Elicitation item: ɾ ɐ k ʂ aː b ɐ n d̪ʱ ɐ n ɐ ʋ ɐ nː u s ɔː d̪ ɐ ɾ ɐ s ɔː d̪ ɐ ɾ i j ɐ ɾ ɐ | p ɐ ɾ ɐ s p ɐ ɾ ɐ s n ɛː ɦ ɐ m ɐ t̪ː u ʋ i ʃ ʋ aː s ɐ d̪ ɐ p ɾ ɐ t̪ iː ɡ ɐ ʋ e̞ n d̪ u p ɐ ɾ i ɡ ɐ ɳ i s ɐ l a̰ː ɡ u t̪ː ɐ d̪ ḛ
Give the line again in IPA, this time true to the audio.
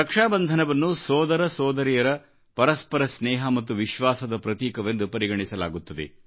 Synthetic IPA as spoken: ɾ ɐ k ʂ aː b ɐ n d̪ʱ ɐ n ɐ ʋ ɐ nː u s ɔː d̪ ɐ ɾ ɐ s ɔː d̪ ɐ ɾ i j ɐ ɾ ɐ | p ɐ ɾ ɐ s p ɐ ɾ ɐ s n ɛː ɦ ɐ m ɐ t̪ː u ʋ i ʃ ʋ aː s ɐ d̪ ɐ p ɾ ɐ t̪ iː k ɐ ʋ e̞ n d̪ u p ɐ ɾ i ɡ ɐ ɳ i s ɐ l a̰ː ɡ u t̪ː ɐ d̪ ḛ